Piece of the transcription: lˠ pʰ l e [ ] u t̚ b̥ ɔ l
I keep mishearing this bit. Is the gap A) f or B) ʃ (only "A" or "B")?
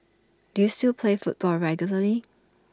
A